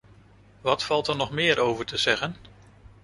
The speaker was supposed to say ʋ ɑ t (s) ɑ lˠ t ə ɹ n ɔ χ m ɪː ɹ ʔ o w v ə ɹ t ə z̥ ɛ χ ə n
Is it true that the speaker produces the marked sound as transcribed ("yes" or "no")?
no